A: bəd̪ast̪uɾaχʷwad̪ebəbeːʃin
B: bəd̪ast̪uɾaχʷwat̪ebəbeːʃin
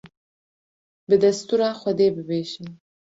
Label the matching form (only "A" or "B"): A